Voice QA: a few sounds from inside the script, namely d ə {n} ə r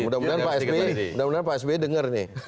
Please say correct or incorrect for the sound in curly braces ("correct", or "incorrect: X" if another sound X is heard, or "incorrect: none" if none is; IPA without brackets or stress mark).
incorrect: ŋ